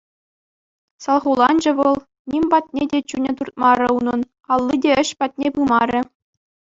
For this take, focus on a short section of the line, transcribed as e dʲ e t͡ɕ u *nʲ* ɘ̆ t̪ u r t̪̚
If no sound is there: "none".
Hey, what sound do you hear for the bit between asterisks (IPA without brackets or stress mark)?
nʲ